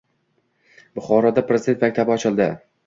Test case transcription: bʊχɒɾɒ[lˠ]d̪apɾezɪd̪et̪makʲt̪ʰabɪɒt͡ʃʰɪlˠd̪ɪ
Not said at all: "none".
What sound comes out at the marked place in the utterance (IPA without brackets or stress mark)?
none